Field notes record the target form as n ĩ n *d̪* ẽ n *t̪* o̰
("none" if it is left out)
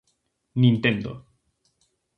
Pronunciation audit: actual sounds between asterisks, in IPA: t̪, d̪

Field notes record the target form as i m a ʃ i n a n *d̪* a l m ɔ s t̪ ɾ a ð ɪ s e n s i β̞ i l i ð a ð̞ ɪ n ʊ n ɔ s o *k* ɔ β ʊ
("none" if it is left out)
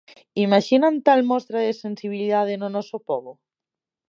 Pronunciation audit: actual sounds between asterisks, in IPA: t̪, p

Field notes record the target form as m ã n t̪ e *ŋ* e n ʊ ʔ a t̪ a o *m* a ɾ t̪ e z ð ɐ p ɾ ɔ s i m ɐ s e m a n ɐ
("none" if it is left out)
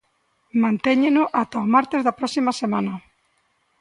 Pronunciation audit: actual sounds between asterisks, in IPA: ɲ, m

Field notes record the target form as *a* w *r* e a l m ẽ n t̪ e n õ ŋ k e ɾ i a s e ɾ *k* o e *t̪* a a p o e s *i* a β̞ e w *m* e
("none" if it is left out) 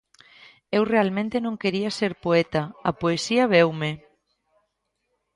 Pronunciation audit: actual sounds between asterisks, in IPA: e, r, p, t̪, i, m

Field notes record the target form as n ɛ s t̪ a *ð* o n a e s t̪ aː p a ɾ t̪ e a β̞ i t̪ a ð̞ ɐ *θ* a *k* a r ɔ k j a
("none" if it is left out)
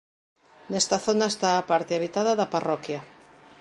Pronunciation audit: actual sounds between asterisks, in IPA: θ, ð, p

